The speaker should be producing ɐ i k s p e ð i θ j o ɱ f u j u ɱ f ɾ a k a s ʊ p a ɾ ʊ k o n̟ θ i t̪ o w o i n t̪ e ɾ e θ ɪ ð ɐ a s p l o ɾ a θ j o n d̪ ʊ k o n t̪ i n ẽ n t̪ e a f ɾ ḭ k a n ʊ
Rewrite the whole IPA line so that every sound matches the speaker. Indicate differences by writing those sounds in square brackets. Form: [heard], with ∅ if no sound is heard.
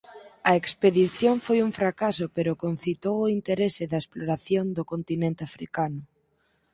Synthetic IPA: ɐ [e] k s p e ð i θ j o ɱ f [o] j u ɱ f ɾ a k a s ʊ p [e] ɾ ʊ k o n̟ θ i t̪ o w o i n t̪ e ɾ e [s] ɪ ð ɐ [e] s p l o ɾ a θ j o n d̪ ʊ k o n t̪ i n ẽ n t̪ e a f ɾ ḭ k a n ʊ